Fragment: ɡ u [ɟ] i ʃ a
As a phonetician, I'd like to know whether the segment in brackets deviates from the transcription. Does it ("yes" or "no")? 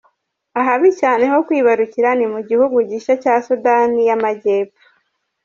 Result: no